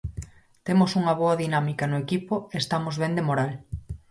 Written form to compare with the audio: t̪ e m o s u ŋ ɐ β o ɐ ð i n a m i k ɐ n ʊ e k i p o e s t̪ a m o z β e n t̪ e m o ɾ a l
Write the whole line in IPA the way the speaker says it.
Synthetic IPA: t̪ e m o s u ŋ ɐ β o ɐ ð i n a m i k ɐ n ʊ e k i p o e s t̪ a m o z β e n d̪ e m o ɾ a l